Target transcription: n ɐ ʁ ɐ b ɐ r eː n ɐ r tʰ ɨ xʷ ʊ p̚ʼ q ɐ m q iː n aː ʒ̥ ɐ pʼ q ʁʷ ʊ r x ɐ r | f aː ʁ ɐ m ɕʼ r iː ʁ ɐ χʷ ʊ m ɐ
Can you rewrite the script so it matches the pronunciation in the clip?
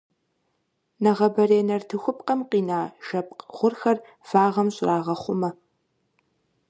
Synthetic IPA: n ɐ ʁ ɐ b ɐ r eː n ɐ r tʰ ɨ xʷ ʊ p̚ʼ q ɐ m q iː n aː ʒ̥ ɐ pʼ q ʁʷ ʊ r x ɐ r | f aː ʁ ɐ m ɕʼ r aː ʁ ɐ χʷ ʊ m ɐ